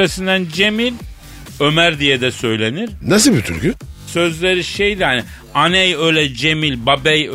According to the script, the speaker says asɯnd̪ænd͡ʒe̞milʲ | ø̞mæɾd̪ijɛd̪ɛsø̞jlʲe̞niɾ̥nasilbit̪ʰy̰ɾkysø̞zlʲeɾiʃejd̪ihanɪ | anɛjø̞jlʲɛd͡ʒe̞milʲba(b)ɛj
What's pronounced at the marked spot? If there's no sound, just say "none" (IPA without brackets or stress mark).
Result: b